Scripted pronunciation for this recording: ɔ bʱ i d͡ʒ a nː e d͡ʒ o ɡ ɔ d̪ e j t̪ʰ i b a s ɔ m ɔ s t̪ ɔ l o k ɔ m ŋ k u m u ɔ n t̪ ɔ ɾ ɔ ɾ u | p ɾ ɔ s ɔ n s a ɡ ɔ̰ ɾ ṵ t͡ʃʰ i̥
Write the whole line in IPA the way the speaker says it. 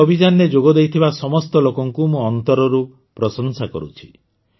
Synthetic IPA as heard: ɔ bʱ i d͡ʒ a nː e d͡ʒ o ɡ ɔ d̪ e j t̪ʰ i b a s ɔ m ɔ s t̪ ɔ l o k ɔ ŋ k u m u ɔ n t̪ ɔ ɾ ɔ ɾ u | p ɾ ɔ s ɔ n s a k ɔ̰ ɾ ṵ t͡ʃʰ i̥